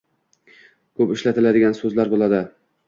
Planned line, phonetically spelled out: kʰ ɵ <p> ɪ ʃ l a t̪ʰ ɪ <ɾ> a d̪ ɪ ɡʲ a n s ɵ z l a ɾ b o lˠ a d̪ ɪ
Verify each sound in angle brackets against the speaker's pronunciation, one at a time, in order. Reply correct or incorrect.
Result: correct, incorrect: l

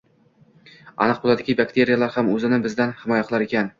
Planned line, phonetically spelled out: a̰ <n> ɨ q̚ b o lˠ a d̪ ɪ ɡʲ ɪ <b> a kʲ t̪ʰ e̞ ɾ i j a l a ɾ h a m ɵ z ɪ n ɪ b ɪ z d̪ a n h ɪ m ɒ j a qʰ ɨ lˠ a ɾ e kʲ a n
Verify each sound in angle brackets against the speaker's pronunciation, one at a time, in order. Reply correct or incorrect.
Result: correct, correct

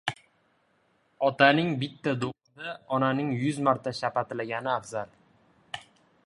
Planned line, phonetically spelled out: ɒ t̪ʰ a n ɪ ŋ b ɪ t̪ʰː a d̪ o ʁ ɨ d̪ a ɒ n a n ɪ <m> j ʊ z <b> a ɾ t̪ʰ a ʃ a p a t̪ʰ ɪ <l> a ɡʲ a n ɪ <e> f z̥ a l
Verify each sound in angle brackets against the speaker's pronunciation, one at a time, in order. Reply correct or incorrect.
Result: incorrect: ŋ, incorrect: m, correct, incorrect: a

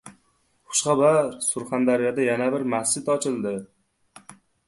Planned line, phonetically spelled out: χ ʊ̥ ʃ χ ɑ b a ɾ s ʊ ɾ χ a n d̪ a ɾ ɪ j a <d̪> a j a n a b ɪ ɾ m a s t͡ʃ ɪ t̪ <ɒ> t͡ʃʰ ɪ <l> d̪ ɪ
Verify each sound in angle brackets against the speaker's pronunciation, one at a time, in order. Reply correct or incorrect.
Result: correct, correct, correct

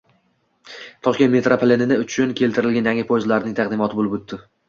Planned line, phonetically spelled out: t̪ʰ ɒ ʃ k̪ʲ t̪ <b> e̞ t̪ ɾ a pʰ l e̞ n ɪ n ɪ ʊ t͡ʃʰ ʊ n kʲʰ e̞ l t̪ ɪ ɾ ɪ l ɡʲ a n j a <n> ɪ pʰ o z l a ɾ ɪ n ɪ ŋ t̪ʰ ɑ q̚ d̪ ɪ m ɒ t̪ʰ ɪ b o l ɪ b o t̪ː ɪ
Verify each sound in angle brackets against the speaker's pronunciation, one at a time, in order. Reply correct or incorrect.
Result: incorrect: m, incorrect: ŋ

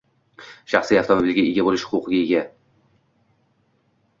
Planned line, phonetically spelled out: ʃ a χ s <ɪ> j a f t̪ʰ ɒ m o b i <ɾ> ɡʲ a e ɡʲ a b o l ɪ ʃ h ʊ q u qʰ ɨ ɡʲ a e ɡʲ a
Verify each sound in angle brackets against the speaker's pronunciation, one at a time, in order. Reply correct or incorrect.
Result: incorrect: i, incorrect: l

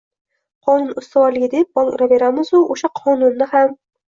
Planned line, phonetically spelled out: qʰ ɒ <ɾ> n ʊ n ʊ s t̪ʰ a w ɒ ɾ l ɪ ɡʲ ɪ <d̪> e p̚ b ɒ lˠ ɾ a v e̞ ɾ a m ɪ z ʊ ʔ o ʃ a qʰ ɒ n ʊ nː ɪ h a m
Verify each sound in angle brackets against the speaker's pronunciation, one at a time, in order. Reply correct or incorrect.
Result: incorrect: none, correct

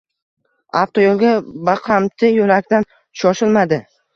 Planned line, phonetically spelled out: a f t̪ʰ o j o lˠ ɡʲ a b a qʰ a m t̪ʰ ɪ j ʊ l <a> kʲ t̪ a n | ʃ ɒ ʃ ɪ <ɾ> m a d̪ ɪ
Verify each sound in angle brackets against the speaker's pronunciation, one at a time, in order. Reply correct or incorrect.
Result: correct, incorrect: l

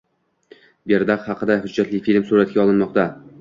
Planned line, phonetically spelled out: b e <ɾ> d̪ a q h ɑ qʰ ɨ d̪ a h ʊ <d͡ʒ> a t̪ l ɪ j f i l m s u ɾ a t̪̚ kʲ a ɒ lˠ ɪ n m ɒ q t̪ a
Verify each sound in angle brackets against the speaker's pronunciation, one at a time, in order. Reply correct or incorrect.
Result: correct, incorrect: d͡ʒː

